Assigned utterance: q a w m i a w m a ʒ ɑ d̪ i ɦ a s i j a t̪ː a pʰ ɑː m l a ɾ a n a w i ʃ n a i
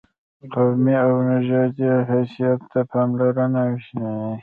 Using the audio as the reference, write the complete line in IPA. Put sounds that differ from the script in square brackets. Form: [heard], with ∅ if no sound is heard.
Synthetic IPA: q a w m i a w [n] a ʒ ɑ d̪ i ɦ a s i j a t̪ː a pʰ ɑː m l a ɾ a n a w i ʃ n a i